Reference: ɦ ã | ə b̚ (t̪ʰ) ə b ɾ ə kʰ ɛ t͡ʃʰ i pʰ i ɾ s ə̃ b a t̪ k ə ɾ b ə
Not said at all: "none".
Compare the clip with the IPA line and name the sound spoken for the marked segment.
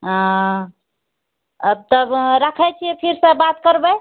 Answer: t̪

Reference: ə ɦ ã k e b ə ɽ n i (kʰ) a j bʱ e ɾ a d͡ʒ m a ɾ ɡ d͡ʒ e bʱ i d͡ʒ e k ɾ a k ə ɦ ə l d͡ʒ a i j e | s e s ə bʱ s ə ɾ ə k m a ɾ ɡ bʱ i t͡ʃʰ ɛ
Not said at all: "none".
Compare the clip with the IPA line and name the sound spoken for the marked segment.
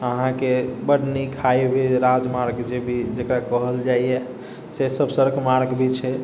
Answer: kʰ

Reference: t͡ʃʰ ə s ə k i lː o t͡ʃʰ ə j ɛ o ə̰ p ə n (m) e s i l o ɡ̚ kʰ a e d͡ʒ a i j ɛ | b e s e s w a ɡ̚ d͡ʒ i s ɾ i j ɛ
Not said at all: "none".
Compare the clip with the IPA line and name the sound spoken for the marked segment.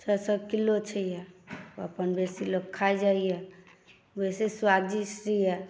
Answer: b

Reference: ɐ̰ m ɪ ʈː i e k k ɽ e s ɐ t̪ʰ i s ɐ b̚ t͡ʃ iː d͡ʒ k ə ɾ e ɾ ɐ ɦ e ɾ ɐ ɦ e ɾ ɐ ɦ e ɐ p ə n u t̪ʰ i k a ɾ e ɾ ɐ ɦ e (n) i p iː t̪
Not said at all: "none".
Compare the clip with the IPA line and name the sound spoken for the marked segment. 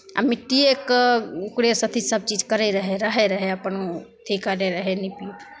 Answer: n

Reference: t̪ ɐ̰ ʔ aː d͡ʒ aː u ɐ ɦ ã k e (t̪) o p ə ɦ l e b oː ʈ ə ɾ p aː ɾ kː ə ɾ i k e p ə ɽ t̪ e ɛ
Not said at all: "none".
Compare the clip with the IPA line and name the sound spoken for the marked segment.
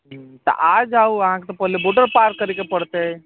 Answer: t̪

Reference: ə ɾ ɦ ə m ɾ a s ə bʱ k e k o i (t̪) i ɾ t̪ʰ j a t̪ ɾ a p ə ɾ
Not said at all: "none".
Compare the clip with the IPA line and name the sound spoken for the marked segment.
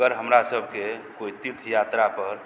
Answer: t̪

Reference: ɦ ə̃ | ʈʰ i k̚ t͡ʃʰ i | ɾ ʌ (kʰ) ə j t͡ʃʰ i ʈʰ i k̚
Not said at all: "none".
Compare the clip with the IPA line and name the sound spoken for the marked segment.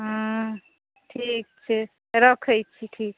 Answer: kʰ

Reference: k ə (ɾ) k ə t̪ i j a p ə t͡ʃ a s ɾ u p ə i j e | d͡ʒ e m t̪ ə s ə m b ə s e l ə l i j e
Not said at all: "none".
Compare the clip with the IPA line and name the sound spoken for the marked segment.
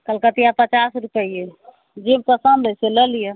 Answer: l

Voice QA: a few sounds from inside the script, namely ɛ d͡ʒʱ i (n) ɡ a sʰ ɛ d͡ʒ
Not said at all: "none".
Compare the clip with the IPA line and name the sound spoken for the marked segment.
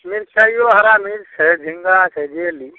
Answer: ŋ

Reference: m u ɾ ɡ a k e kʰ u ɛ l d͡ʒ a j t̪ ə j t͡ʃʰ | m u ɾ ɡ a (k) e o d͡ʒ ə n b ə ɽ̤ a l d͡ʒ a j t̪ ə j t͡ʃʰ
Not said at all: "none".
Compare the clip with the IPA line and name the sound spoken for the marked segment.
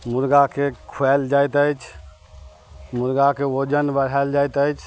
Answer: k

